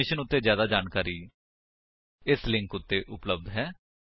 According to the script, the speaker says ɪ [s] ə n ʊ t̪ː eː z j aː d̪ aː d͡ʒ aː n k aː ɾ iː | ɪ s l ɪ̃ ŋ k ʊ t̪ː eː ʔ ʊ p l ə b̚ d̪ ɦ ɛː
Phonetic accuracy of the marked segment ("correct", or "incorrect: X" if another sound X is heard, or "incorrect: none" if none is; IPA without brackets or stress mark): incorrect: ʃ